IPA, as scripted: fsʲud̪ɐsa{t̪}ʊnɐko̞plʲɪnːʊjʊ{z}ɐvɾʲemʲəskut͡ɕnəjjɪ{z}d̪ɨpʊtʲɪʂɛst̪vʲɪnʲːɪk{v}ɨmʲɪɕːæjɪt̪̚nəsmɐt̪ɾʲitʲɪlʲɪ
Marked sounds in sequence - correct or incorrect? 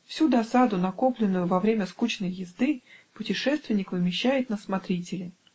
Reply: incorrect: d̪, incorrect: v, correct, correct

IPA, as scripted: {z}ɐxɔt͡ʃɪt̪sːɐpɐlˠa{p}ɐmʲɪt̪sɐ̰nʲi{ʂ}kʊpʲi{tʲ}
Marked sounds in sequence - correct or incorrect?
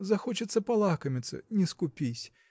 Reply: correct, incorrect: k, incorrect: s, incorrect: sʲ

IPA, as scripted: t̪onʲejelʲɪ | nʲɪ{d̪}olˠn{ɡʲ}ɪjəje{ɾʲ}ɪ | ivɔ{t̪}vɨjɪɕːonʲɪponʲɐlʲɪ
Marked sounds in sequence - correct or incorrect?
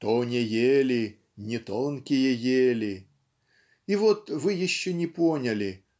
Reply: incorrect: t̪, incorrect: kʲ, incorrect: lʲ, correct

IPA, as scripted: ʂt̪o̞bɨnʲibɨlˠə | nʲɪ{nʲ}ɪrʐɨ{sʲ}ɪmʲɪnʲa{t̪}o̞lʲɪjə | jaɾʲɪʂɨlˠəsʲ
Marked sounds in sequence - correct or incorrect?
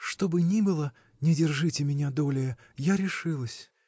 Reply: incorrect: dʲ, incorrect: tʲ, incorrect: d̪

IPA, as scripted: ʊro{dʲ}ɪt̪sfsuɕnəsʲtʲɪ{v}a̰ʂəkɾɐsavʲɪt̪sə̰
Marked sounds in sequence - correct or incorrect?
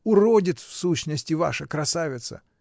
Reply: correct, correct

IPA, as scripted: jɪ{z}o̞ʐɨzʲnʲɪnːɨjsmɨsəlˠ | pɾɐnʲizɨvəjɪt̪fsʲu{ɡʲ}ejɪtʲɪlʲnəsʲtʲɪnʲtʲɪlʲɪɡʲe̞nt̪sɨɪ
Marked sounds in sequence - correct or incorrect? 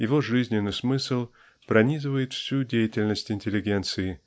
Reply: incorrect: v, incorrect: dʲ

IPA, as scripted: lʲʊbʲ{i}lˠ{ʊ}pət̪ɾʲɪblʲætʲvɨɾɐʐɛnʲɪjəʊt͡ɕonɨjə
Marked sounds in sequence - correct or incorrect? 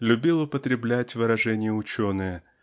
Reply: correct, correct

